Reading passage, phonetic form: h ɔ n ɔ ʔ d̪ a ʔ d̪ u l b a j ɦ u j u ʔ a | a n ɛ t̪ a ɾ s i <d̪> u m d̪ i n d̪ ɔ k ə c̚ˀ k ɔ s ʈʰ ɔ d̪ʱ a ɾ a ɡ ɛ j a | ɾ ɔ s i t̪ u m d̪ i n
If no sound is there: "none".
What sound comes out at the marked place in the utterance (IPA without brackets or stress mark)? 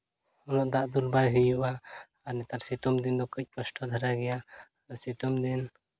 t̪